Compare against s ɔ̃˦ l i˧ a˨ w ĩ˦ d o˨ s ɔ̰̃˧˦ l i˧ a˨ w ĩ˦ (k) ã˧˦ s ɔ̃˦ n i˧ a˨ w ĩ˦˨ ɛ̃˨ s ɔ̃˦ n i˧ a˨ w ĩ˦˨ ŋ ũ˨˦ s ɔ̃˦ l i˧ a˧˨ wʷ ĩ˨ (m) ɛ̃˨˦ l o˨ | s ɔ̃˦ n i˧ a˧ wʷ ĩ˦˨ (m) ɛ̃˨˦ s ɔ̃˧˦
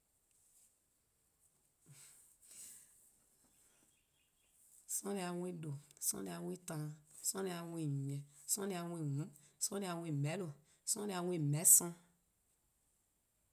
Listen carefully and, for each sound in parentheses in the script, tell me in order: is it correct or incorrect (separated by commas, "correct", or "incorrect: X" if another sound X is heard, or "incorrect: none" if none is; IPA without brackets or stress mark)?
incorrect: t, correct, correct